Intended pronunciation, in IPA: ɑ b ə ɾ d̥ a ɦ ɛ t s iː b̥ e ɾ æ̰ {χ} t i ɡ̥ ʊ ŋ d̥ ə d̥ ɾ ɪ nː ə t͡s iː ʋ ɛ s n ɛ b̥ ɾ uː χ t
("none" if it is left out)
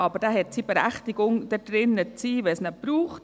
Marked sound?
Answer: χ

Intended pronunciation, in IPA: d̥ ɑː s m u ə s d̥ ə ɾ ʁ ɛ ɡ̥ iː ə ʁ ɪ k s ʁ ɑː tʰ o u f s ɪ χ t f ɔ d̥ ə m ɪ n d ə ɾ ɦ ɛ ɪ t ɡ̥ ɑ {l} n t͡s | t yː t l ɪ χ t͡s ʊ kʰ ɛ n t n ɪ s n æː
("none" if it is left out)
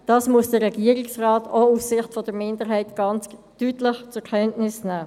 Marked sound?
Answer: none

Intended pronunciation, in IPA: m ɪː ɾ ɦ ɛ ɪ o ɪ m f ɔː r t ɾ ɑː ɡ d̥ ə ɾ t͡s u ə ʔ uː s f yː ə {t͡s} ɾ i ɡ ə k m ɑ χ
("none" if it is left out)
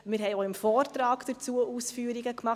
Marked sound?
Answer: none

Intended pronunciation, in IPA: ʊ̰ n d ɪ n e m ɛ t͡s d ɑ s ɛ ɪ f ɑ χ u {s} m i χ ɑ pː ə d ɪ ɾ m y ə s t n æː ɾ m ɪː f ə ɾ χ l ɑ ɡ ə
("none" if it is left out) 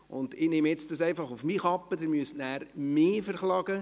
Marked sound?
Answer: f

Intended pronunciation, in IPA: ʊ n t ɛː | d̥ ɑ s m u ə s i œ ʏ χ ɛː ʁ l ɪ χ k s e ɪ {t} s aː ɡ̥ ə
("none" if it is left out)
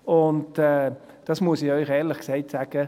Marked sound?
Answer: t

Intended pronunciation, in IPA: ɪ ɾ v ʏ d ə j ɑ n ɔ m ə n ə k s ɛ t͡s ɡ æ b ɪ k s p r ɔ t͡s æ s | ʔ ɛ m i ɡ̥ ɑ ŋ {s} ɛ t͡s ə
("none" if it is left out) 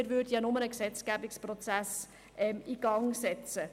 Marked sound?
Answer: s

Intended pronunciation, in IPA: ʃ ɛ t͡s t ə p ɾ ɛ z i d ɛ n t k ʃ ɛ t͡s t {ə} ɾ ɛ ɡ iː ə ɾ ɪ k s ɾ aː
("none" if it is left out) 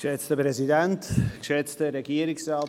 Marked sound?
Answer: ə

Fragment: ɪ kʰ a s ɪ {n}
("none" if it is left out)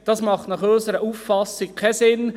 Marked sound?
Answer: n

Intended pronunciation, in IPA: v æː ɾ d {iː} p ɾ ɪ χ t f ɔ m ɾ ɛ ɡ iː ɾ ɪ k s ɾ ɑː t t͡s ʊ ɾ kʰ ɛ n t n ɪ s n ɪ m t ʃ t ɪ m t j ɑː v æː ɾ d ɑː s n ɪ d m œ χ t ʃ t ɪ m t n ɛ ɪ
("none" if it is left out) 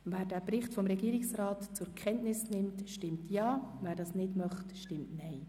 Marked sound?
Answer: æː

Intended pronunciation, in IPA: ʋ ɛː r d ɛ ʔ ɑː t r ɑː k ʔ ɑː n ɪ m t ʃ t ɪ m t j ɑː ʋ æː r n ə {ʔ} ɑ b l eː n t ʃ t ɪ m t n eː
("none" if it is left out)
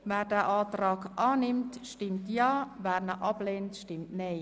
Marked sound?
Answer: ʔ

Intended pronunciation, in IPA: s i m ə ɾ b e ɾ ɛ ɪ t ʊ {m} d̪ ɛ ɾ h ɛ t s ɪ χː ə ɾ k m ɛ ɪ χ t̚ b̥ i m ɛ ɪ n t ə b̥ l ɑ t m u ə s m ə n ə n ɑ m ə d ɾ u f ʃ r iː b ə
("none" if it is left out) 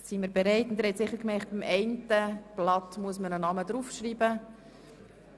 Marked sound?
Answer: n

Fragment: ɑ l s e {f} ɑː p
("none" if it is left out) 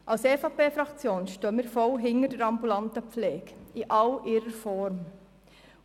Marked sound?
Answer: f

